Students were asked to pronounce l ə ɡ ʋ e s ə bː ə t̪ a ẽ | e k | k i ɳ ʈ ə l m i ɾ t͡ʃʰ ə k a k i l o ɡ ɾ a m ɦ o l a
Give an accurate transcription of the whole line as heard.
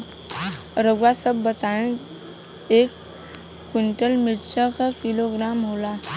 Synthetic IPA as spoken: ɾ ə ɡ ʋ a s ə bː ə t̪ a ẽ | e k | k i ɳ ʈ ə l m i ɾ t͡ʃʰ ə k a k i l o ɡ ɾ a m ɦ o l a